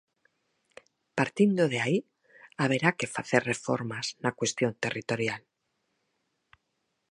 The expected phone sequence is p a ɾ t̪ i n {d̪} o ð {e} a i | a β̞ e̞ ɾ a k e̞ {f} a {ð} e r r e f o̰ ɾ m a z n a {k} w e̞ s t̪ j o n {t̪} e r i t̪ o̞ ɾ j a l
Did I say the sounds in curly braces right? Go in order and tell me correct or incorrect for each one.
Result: correct, correct, correct, incorrect: θ, correct, correct

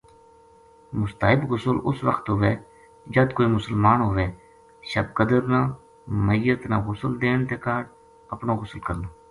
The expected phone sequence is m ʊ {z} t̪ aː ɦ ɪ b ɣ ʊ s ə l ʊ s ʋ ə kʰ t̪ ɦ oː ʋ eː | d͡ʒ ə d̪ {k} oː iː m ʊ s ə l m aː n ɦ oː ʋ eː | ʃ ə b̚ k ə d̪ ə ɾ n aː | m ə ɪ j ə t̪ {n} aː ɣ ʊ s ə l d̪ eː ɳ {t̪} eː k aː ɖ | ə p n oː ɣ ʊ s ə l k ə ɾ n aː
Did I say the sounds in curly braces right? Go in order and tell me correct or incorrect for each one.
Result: incorrect: s, correct, correct, correct

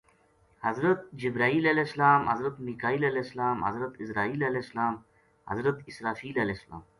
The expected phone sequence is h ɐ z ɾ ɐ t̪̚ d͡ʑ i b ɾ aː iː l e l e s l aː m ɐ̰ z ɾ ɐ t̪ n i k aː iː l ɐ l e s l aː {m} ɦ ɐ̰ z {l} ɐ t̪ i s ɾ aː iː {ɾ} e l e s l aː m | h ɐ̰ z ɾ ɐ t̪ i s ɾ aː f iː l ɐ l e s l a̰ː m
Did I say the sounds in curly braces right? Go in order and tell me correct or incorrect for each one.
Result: correct, incorrect: ɾ, incorrect: l

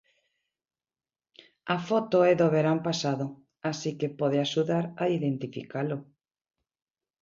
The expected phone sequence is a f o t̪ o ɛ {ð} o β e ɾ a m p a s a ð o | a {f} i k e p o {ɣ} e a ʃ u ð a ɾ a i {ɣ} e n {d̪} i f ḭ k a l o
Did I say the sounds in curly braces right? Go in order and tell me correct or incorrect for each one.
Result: correct, incorrect: s, incorrect: ð, incorrect: ð, incorrect: t̪

